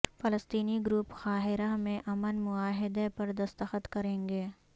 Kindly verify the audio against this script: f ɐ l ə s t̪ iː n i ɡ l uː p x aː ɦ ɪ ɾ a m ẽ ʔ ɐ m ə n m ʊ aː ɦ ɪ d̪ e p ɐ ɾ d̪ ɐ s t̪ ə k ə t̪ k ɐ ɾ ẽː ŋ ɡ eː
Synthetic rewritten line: f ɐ l ə s t̪ iː n i ɡ ɾ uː p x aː ɦ ɪ ɾ a m ẽ ʔ ɐ m ə n m ʊ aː ɦ ɪ d̪ e p ɐ ɾ d̪ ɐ s t̪ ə x ə t̪ k ɐ ɾ ẽː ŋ ɡ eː